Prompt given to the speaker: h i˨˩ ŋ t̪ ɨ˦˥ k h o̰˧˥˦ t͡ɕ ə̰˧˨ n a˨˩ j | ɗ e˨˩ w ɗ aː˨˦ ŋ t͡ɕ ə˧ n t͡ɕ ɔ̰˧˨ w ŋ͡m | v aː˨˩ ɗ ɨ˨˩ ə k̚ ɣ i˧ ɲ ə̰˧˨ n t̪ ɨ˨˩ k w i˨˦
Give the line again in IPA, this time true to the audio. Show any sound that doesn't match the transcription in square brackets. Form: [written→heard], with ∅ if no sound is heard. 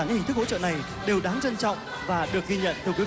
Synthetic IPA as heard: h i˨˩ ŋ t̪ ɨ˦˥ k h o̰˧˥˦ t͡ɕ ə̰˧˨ n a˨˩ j | ɗ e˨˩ w ɗ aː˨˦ ŋ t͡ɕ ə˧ n t͡ɕ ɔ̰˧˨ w ŋ͡m | v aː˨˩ ɗ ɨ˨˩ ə k̚ ɣ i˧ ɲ ə̰˧˨ n t̪ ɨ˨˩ k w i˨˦